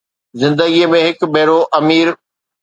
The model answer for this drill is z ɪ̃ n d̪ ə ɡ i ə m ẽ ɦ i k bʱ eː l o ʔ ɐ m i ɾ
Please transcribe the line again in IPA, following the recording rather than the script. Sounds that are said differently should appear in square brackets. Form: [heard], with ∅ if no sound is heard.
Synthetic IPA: z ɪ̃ n d̪ ə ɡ i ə m ẽ ɦ [ɪ] k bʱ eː [ɾ] o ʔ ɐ m [iː] ɾ